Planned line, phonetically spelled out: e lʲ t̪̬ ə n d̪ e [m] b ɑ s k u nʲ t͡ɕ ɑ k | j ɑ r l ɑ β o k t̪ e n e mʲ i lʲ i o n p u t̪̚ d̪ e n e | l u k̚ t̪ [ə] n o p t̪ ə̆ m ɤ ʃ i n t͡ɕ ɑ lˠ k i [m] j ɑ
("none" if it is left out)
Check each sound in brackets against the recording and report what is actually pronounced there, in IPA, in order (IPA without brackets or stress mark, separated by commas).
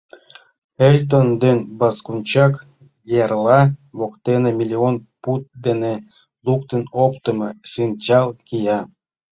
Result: n, ə, none